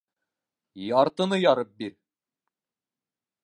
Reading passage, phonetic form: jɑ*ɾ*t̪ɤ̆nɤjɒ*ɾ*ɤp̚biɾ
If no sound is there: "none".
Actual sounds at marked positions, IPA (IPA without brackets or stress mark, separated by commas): ɾ, ɾ